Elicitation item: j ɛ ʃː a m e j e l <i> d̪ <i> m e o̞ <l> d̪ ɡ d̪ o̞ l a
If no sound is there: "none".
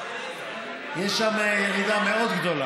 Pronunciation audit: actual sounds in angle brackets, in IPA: i, a, none

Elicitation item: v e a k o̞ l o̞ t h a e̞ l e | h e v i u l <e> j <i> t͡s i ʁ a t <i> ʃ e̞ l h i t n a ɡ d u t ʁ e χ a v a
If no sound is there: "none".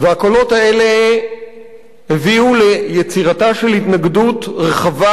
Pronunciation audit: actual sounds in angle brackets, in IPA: e, e, a

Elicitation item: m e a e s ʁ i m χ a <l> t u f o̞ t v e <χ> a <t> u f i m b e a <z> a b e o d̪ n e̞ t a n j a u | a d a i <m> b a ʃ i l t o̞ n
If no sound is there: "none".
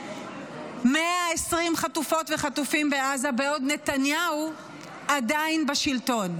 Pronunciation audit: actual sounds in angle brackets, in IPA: none, χ, t, z, n

